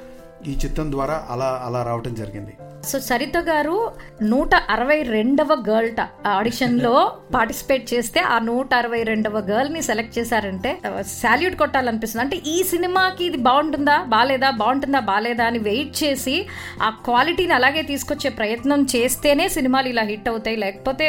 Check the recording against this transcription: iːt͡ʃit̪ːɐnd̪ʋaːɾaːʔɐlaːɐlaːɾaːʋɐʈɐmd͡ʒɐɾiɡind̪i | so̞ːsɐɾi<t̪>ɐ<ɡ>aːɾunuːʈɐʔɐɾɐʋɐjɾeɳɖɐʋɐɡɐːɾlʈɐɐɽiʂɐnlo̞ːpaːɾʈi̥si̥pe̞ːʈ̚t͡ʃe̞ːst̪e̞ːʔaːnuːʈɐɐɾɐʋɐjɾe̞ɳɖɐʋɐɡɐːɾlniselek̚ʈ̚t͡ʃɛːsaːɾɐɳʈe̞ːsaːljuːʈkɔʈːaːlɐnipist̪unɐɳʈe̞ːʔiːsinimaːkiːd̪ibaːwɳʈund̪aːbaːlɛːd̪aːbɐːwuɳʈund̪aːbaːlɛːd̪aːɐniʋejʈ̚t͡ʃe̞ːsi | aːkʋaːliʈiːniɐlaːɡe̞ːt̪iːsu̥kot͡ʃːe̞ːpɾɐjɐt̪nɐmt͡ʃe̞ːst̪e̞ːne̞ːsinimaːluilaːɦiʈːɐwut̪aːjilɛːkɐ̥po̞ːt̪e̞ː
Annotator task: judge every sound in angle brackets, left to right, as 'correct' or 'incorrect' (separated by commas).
correct, correct